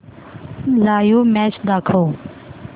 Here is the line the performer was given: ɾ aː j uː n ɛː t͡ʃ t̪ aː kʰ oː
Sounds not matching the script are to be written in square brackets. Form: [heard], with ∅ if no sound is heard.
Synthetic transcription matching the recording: [l] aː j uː [m] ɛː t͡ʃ [d̪] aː kʰ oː

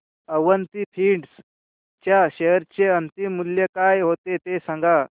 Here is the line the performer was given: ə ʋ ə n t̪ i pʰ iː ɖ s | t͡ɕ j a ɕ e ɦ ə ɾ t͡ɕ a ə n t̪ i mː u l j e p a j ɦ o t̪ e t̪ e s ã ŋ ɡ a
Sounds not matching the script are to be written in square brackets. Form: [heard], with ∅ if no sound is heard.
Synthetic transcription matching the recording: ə ʋ ə n t̪ i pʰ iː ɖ s | t͡ɕ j a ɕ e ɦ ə ɾ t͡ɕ [e] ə n t̪ i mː u l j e [k] a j ɦ o t̪ e t̪ e s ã ŋ ɡ a

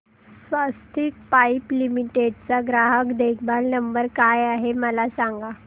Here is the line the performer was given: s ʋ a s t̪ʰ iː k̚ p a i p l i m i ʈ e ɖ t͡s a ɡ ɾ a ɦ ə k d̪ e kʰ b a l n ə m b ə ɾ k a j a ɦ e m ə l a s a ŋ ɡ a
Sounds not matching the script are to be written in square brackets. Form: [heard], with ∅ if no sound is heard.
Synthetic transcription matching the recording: s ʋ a s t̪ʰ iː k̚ p a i p l i m i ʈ e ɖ t͡s a ɡ ɾ a ɦ ə k d̪ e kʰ b a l n ə m b ə ɾ k a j a ɦ e m ə l a s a ŋ ɡ a

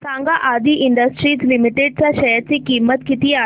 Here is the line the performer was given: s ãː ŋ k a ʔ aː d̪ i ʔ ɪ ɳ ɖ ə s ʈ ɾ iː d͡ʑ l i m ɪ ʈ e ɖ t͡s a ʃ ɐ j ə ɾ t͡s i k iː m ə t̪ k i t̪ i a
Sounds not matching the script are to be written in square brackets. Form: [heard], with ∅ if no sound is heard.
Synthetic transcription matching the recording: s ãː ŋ [ɡ] a ʔ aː d̪ i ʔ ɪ ɳ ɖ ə s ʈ ɾ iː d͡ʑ l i m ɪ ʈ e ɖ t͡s a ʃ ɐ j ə ɾ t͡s i k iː m ə t̪ k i t̪ i a

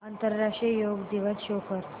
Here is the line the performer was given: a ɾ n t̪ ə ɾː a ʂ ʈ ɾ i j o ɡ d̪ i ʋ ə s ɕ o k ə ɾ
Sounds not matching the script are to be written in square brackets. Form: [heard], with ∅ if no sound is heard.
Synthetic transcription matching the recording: a [∅] n t̪ ə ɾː a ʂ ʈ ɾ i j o ɡ d̪ i ʋ ə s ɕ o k ə ɾ

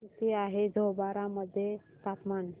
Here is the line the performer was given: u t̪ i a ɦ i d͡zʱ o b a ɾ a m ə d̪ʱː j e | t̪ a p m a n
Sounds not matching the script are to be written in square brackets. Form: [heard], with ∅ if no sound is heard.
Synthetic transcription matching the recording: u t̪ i a ɦ [e] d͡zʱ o b a ɾ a m ə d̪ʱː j e | t̪ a p m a n

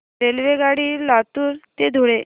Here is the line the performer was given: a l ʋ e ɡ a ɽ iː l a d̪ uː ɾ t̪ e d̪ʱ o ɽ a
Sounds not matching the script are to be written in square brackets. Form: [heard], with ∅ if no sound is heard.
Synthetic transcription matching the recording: [e] l ʋ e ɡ a ɽ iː l a [t̪] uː ɾ t̪ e d̪ʱ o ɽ [e]

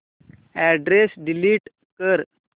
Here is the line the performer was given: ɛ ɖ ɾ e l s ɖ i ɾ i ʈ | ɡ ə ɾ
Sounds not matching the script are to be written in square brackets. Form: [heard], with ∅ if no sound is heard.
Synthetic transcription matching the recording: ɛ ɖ ɾ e [∅] s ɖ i [l] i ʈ | [k] ə ɾ

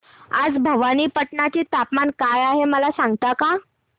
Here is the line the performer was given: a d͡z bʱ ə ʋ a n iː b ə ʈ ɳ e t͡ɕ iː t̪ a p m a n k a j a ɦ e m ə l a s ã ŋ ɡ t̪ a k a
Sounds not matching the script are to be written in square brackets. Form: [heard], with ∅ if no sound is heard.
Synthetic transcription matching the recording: a d͡z bʱ ə ʋ a n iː [p] ə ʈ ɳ [a] t͡ɕ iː t̪ a p m a n k a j a ɦ e m ə l a s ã ŋ ɡ t̪ a k a

